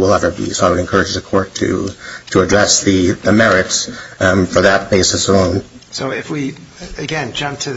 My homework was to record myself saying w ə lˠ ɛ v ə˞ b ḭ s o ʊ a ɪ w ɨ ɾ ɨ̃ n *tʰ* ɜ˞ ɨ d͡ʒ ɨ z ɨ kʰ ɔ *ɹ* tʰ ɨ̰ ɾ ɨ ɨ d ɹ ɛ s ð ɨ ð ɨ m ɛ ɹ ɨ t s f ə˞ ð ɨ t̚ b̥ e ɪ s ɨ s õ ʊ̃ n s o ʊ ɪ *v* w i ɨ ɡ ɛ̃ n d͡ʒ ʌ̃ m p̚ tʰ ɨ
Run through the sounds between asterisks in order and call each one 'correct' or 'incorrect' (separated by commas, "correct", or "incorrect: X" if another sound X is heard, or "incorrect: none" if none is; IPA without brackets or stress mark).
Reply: incorrect: kʰ, correct, incorrect: f